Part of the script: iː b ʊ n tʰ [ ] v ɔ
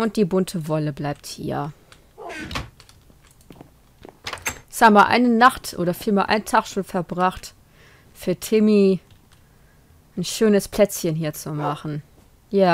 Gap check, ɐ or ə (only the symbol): ə